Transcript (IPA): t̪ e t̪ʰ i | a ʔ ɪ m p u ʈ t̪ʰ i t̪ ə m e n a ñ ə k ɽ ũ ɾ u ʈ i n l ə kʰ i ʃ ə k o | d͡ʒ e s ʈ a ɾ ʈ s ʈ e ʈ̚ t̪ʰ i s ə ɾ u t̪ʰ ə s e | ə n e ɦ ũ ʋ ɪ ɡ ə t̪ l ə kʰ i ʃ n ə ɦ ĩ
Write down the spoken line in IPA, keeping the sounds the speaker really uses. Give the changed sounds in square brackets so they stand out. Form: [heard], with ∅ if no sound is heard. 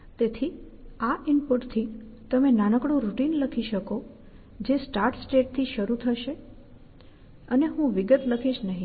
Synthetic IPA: t̪ e t̪ʰ i | a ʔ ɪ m p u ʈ t̪ʰ i t̪ ə m e n a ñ ə k ɽ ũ ɾ u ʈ i n l ə kʰ i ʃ ə k o | d͡ʒ e s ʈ a ɾ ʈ s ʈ e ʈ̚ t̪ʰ i [ʃ] ə ɾ u t̪ʰ ə [ʃ] e | ə n e ɦ ũ ʋ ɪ ɡ ə t̪ l ə kʰ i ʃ n ə ɦ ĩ

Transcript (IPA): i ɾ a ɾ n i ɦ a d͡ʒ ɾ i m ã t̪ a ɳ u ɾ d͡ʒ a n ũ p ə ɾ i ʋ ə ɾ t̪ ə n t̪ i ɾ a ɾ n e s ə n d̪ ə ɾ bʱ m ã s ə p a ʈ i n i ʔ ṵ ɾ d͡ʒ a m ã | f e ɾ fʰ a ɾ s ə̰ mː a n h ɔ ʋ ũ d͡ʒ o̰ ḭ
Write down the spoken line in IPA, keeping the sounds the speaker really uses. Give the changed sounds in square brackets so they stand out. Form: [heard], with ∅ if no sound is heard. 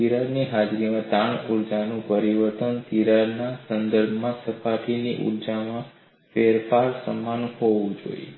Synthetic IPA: i ɾ a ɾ n i ɦ a d͡ʒ ɾ i m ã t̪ a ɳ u ɾ d͡ʒ a n ũ p ə ɾ i ʋ ə ɾ t̪ ə n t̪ i ɾ a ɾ n [a] s ə n d̪ ə ɾ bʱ m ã s ə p a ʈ i n i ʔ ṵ ɾ d͡ʒ a m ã | f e ɾ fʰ a ɾ s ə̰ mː a n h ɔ ʋ ũ d͡ʒ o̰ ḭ

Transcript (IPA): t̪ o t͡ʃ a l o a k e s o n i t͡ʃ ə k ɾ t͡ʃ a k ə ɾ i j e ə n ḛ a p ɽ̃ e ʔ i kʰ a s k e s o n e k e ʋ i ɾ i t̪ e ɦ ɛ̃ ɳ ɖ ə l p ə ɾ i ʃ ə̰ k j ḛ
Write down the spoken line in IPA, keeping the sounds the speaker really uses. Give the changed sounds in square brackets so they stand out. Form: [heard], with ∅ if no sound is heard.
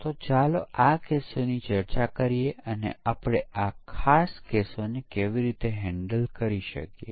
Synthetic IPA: t̪ o t͡ʃ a l o a k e s o n i t͡ʃ ə [∅] ɾ t͡ʃ a k ə ɾ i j e ə n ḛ a p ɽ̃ e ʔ [a] kʰ a s k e s o n e k e ʋ i ɾ i t̪ e ɦ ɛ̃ ɳ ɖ ə l [k] ə ɾ i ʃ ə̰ k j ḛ

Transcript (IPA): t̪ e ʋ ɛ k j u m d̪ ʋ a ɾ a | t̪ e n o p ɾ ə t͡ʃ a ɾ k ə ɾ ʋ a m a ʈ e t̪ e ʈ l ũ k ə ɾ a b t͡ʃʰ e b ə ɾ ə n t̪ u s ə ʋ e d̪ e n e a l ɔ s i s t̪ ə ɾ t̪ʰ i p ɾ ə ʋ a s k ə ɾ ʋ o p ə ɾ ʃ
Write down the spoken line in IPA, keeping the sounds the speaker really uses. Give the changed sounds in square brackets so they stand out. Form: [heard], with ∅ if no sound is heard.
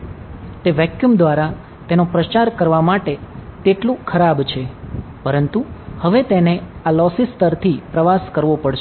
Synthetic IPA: t̪ e ʋ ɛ k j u m d̪ ʋ a ɾ a | t̪ e n o p ɾ ə t͡ʃ a ɾ k ə ɾ ʋ a m a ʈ e t̪ e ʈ l ũ [kʰ] ə ɾ a b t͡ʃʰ e [p] ə ɾ ə n t̪ u [h] ə ʋ e [t̪] e n e a l ɔ s i s t̪ ə ɾ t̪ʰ i p ɾ ə ʋ a s k ə ɾ ʋ o p ə [ɽ] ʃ

